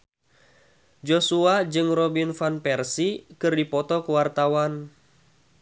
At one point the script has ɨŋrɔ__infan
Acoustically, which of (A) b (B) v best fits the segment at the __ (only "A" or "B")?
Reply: A